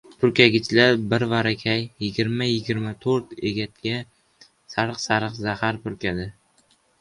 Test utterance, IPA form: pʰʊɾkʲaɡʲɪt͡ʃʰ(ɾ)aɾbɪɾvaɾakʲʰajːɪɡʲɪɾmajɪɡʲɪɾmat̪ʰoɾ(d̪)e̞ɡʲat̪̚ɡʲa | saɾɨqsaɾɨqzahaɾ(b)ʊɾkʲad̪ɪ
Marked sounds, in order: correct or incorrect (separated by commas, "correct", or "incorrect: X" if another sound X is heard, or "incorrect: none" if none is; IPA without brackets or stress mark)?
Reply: incorrect: l, incorrect: t̪, incorrect: p